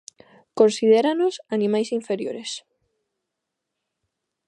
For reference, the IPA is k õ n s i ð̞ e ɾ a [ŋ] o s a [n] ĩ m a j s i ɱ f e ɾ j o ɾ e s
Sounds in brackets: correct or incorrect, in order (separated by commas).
incorrect, correct